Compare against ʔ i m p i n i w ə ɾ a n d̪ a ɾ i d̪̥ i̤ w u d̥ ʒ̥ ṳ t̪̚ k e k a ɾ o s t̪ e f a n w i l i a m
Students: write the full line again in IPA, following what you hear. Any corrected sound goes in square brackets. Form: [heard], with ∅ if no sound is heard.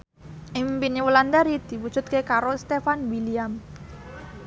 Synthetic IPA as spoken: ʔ i m p i n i w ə [l] a n d̪ a ɾ i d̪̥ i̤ w u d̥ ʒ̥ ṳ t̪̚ k e k a ɾ o s t̪ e f a n w i l i a m